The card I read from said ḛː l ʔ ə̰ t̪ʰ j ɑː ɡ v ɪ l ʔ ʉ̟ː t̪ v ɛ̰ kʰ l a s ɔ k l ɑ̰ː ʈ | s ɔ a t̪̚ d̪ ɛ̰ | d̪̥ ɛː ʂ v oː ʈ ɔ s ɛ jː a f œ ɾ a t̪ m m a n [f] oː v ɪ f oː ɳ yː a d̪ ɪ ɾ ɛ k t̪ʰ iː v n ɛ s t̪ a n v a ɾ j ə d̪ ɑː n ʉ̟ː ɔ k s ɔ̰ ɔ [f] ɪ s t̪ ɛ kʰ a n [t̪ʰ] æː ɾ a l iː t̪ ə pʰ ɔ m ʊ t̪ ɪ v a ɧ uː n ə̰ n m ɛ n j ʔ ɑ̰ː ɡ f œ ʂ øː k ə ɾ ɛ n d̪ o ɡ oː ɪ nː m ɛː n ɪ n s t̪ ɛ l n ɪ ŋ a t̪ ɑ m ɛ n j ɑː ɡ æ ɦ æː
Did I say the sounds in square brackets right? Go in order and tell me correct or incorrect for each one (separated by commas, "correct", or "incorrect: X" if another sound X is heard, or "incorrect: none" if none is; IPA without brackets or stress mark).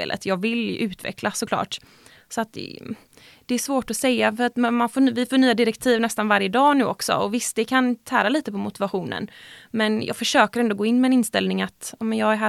correct, incorrect: v, correct